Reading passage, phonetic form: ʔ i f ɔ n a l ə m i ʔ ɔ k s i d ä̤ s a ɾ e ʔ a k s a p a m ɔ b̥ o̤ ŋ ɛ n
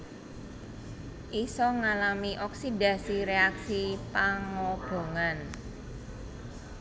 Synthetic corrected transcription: ʔ i s ɔ ŋ a l a m i ʔ ɔ k s i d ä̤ s i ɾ e a k s i p a ŋ ɔ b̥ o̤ ŋ a n

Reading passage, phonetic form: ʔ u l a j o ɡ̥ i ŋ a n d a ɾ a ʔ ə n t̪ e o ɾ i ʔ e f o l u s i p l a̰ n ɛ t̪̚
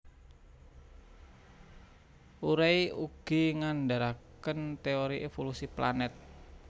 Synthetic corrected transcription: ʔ u ɾ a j u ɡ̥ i ŋ a n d a ɾ a k ə n t̪ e o ɾ i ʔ e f o l u s i p l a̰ n ɛ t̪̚

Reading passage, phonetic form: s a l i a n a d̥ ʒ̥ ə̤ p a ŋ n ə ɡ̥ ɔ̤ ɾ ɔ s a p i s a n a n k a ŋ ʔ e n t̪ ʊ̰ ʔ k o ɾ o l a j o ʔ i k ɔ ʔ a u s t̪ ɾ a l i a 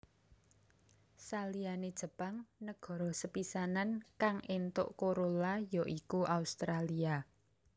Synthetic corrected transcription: s a l i a n e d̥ ʒ̥ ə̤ p a ŋ n ə ɡ̥ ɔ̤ ɾ ɔ s ə p i s a n a n k a ŋ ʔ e n t̪ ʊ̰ ʔ k o ɾ o l a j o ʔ i k u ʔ a u s t̪ ɾ a l i a

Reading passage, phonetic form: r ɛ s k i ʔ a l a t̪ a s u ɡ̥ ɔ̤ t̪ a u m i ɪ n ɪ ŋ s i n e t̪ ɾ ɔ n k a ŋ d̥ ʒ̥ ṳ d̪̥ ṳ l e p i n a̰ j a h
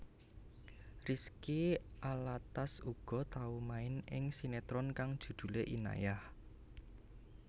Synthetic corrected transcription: r i s k i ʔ a l a t̪ a s u ɡ̥ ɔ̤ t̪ a u m a ɪ n ɪ ŋ s i n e t̪ ɾ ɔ n k a ŋ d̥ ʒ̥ ṳ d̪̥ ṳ l e ʔ i n a̰ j a h

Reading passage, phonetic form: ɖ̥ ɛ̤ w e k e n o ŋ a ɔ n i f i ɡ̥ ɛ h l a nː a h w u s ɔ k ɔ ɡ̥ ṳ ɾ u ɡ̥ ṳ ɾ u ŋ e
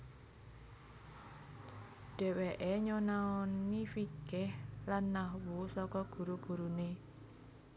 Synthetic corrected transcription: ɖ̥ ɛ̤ w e ʔ e ɲ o n a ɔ n i f i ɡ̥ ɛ h l a nː a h w u s ɔ k ɔ ɡ̥ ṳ ɾ u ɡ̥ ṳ ɾ u n e

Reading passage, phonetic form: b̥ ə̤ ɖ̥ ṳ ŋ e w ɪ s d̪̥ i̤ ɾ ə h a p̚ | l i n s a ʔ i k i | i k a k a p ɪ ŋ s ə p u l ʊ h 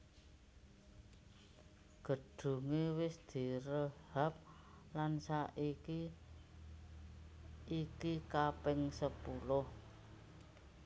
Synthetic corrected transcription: ɡ̥ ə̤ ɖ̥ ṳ ŋ e w ɪ s d̪̥ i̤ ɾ ə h a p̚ | l a n s a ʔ i k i | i k i k a p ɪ ŋ s ə p u l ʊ h

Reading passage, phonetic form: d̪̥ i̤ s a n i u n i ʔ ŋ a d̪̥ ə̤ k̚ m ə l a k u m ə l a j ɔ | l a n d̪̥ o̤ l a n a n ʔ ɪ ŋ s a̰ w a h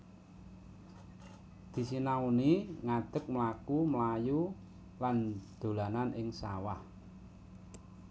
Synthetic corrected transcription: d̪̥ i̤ s i n a u n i ŋ a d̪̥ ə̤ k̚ m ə l a k u m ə l a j u | l a n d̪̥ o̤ l a n a n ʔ ɪ ŋ s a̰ w a h

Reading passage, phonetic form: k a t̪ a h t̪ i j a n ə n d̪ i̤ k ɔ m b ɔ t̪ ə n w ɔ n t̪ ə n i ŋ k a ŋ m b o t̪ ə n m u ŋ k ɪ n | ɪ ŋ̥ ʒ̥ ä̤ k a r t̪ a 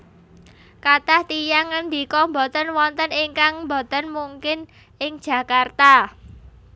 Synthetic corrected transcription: k a t̪ a h t̪ i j a ŋ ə n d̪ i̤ k ɔ m b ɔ t̪ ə n w ɔ n t̪ ə n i ŋ k a ŋ m b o t̪ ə n m u ŋ k ɪ n | ɪ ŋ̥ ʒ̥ ä̤ k a r t̪ a

